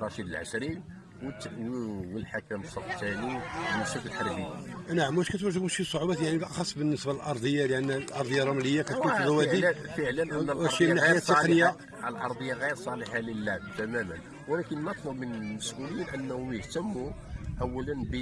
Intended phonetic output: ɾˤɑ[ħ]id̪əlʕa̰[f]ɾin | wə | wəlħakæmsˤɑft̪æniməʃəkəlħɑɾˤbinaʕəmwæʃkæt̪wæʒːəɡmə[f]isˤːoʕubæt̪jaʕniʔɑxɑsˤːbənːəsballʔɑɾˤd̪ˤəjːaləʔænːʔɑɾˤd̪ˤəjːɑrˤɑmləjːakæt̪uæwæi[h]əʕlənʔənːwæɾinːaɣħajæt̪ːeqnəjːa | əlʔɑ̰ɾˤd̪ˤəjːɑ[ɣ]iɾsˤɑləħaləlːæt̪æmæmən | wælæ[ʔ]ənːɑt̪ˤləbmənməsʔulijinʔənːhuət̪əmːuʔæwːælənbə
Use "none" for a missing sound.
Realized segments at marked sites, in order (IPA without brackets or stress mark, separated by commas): ʃ, ʃ, ʃ, f, ɣ, k